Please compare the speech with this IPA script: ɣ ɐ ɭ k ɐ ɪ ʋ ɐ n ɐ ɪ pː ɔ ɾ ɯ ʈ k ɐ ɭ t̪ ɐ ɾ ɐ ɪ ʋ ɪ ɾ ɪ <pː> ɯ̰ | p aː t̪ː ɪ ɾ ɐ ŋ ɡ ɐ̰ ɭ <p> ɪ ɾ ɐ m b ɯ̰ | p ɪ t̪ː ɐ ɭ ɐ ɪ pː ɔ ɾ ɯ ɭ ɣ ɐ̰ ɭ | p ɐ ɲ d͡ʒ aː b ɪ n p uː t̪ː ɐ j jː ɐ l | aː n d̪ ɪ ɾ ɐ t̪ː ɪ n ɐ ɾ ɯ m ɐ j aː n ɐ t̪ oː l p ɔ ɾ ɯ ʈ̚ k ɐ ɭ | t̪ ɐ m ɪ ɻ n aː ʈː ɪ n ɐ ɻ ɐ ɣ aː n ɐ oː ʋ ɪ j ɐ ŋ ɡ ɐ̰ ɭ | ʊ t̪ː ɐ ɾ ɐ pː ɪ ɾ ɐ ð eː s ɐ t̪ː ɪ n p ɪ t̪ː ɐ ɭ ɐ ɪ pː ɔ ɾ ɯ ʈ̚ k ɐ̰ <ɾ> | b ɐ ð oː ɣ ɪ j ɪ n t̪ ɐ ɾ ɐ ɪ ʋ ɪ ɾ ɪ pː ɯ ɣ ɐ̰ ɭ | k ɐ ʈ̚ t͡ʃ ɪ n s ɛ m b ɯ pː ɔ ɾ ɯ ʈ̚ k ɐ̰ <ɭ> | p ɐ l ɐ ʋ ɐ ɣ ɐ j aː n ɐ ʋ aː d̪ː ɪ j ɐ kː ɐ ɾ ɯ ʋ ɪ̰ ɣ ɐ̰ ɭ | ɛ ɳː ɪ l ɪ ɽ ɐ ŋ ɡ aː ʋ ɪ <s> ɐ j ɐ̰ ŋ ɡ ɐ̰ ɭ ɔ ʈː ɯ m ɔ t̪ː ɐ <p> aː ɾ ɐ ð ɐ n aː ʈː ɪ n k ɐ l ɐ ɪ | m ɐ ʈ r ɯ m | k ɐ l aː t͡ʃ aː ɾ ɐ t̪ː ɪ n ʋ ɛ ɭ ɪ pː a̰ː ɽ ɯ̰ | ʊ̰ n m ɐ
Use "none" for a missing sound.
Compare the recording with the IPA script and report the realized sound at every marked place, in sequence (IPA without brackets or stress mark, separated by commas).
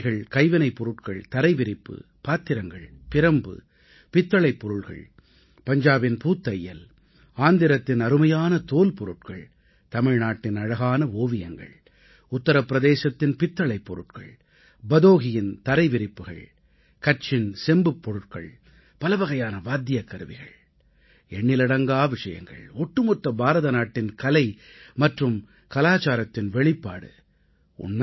pː, p, ɭ, ɭ, ʂ, b